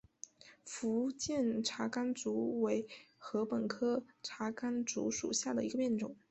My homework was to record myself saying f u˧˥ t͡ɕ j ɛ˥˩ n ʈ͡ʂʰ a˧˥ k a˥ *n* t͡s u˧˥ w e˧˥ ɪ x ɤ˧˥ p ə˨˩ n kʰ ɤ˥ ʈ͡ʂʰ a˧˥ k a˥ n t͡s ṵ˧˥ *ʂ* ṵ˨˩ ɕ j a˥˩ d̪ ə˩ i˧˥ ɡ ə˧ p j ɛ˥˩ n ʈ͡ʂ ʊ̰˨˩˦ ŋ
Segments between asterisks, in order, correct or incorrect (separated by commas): correct, correct